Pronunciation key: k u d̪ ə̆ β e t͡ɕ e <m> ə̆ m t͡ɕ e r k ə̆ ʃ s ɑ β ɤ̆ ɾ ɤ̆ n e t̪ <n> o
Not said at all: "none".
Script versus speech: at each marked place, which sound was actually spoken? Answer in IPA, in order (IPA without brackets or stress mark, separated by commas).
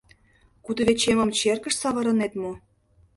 m, m